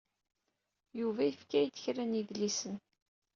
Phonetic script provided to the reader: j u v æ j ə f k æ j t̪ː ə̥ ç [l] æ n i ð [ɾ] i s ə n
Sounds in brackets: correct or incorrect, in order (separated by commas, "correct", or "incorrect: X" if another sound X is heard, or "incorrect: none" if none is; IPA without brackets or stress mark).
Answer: incorrect: ɾ, incorrect: l